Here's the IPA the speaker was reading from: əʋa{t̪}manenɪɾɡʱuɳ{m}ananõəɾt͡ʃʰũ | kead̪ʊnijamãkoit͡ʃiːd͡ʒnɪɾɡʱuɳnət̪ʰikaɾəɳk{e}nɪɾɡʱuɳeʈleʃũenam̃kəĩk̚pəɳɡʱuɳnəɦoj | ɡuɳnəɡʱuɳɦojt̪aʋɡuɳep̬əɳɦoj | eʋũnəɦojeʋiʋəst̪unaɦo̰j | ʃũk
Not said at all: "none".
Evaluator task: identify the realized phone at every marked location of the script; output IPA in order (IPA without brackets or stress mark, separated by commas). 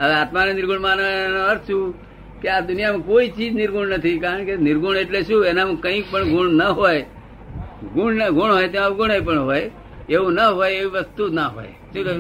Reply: t̪, m, e